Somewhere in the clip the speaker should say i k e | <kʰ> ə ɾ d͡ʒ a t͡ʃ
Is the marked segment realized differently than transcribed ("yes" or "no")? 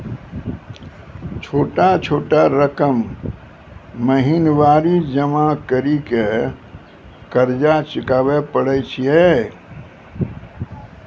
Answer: yes